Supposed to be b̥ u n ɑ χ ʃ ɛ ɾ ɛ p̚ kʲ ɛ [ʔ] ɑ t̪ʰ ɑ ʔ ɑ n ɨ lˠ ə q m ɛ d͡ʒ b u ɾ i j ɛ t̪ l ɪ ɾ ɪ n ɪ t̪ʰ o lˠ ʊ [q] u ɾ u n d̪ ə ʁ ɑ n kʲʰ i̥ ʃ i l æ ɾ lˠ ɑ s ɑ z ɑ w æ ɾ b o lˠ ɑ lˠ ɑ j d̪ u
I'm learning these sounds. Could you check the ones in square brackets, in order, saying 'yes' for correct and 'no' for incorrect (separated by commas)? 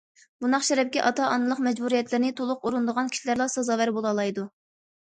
yes, yes